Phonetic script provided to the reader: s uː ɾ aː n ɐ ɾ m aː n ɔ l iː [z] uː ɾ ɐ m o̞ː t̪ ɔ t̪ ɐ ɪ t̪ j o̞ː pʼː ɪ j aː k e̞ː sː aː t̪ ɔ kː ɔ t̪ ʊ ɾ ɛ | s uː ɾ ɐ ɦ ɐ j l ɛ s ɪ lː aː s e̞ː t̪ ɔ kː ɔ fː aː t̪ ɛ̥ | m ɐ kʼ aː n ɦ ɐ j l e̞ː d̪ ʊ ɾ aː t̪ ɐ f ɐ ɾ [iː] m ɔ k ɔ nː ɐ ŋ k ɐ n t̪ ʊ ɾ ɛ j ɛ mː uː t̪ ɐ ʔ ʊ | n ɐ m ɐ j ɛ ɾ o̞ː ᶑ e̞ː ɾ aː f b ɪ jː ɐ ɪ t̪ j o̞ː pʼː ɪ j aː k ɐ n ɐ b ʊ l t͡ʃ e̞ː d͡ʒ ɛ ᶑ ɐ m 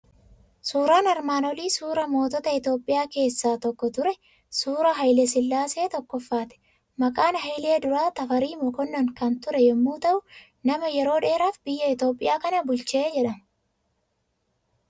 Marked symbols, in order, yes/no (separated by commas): no, yes